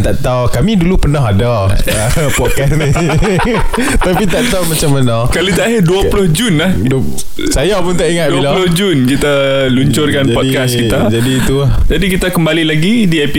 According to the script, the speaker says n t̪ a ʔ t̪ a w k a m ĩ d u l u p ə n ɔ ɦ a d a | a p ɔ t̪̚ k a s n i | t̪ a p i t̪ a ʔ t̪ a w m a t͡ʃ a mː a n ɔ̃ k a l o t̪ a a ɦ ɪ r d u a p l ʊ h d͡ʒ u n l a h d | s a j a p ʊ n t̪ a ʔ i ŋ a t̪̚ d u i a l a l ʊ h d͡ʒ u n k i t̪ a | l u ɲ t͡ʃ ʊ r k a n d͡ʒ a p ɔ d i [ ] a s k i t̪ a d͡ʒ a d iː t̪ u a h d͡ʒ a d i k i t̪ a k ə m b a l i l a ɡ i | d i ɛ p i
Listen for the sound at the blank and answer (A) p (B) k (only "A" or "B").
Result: B